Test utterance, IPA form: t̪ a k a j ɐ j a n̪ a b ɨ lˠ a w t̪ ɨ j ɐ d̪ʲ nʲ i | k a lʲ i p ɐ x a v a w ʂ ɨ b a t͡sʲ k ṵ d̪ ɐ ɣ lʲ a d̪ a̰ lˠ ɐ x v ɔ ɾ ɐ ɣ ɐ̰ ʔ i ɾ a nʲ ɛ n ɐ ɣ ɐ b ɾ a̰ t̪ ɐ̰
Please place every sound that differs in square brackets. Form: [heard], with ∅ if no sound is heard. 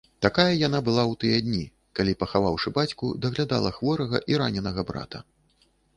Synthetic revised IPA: t̪ a k a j ɐ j a n̪ a b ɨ lˠ a w t̪ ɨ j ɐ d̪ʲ nʲ i | k a lʲ i p ɐ x a v a w ʂ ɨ b a t͡sʲ k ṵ d̪ ɐ ɣ lʲ a d̪ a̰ lˠ ɐ x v ɔ ɾ ɐ ɣ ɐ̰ ʔ i ɾ a nʲ ɛ n ɐ ɣ ɐ b ɾ a̰ t̪ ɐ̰